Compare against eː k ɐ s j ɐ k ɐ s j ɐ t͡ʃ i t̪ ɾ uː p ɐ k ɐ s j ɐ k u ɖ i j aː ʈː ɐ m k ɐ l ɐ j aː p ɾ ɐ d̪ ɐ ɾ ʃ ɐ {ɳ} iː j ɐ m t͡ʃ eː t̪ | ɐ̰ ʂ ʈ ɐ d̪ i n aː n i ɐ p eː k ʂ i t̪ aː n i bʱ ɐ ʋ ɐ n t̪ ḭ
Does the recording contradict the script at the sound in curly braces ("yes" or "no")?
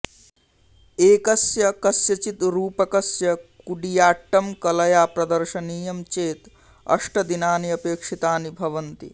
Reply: yes